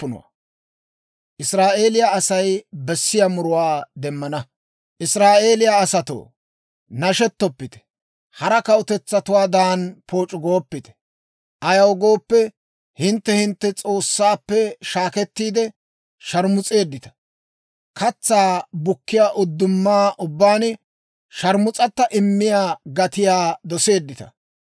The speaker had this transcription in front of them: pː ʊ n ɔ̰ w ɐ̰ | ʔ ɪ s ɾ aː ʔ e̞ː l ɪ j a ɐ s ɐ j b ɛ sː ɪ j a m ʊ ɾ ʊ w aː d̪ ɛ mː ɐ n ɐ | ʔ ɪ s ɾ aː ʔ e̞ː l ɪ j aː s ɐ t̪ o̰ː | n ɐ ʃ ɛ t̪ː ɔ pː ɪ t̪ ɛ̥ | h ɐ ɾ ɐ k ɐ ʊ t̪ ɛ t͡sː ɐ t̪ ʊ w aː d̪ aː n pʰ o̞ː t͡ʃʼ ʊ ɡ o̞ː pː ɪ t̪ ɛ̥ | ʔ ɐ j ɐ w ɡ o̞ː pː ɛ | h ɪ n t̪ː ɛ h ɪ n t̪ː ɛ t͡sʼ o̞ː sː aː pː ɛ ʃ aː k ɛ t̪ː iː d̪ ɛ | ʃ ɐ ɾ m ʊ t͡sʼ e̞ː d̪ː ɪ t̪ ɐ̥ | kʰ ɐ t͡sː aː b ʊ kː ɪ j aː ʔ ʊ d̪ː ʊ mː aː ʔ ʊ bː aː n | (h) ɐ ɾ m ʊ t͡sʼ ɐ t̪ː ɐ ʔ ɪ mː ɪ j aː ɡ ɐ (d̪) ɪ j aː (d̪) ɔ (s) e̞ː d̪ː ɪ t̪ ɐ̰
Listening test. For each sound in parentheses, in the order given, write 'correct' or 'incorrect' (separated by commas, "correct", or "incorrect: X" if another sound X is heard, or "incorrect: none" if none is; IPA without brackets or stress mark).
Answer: incorrect: ʃ, incorrect: t̪, correct, correct